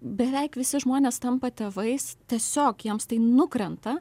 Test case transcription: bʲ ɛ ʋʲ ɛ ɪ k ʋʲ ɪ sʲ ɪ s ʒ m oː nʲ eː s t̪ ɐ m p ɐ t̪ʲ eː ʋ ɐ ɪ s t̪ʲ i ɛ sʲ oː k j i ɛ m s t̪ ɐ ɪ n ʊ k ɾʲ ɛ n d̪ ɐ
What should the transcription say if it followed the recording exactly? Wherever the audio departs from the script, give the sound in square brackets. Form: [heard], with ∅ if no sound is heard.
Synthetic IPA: bʲ ɛ ʋʲ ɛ ɪ k ʋʲ ɪ sʲ ɪ [∅] ʒ m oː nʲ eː s t̪ ɐ m p ɐ t̪ʲ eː ʋ ɐ ɪ s t̪ʲ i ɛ sʲ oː k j i ɛ m s t̪ ɐ ɪ n ʊ k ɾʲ ɛ n [t̪] ɐ